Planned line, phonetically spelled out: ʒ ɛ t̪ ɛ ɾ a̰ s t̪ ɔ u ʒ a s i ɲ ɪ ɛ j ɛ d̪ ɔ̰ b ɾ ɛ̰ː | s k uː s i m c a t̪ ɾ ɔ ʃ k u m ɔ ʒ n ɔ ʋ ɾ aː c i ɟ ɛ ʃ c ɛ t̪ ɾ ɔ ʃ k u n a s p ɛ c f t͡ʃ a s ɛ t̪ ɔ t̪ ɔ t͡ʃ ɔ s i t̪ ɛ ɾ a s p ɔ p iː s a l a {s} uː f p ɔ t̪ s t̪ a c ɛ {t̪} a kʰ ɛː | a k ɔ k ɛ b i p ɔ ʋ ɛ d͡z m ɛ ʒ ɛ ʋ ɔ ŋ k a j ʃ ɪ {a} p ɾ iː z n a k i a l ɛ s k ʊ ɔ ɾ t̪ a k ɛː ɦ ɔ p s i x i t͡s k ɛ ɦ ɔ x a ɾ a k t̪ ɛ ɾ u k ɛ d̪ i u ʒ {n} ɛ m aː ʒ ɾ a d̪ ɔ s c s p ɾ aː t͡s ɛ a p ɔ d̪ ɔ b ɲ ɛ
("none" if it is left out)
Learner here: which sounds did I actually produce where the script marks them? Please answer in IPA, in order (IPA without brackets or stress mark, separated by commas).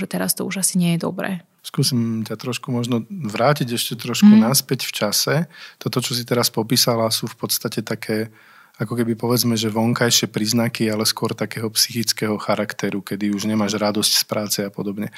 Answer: s, t̪, ɛ, ɲ